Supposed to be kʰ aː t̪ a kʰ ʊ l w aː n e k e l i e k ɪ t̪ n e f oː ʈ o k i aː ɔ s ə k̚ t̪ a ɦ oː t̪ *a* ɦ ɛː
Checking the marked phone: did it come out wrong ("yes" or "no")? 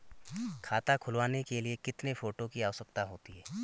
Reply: yes